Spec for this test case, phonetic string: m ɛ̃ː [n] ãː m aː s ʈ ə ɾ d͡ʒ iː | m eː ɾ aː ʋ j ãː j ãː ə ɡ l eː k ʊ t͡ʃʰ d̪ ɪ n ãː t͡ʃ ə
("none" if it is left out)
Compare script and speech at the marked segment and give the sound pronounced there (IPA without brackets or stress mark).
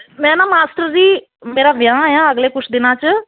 n